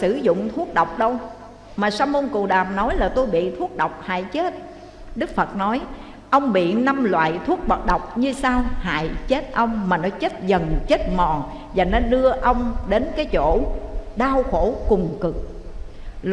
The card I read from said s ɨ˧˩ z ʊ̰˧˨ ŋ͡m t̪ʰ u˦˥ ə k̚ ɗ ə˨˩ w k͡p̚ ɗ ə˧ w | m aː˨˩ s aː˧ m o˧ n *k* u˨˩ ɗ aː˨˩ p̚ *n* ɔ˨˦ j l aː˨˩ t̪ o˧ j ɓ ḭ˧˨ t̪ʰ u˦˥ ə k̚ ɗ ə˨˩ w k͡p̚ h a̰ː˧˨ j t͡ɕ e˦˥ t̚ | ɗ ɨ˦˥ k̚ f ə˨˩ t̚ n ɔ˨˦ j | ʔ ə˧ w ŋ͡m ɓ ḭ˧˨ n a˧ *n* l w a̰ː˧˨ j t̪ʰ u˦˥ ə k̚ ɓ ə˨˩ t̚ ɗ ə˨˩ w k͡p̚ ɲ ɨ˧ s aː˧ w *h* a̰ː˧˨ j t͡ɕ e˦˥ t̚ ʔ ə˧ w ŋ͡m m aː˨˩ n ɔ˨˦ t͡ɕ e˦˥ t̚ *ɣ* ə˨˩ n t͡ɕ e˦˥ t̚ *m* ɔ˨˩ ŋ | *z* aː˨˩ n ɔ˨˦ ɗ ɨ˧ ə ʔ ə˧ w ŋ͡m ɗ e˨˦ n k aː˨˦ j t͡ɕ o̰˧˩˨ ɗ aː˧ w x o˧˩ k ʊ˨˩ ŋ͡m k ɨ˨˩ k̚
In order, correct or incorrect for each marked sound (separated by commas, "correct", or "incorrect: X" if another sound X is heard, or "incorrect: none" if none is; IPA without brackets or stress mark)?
correct, correct, incorrect: m, correct, incorrect: z, correct, correct